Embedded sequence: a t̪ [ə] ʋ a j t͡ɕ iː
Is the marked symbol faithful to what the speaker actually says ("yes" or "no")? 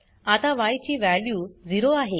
no